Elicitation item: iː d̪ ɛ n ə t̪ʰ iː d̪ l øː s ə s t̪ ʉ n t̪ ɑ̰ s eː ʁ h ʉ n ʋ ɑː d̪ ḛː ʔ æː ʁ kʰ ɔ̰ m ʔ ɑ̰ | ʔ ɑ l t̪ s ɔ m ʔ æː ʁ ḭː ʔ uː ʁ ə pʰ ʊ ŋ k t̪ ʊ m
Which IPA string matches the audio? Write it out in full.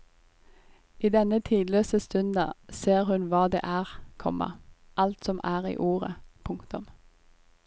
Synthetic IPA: iː d̪ ɛ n ə t̪ʰ iː d̪ l øː s ə s t̪ ʉ n d̪ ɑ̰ s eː ʁ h ʉ n ʋ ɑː d̪ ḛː ʔ æː ʁ kʰ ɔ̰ m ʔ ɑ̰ | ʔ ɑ l t̪ s ɔ m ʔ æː ʁ ḭː ʔ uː ʁ ə pʰ ʊ ŋ k t̪ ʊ m